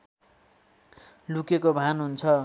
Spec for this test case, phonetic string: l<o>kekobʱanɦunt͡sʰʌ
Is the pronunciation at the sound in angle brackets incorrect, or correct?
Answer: incorrect